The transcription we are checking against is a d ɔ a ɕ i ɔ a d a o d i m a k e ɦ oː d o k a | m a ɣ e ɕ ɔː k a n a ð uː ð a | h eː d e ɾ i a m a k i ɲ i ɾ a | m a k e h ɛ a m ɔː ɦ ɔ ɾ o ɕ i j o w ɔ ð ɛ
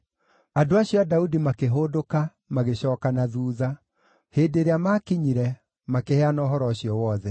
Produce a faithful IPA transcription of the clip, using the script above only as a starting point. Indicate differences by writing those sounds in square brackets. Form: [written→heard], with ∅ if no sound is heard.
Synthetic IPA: a d [ɔ→o] a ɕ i ɔ a d a [o→u] d i m a k e ɦ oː d o k a | m a ɣ e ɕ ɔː k a n a ð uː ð a | h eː d e ɾ [i→e] a m a k i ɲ i ɾ [a→ɛ] | m a k e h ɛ a [m→n] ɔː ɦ ɔ ɾ [o→ɔ] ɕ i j [o→ɔ] w ɔ ð ɛ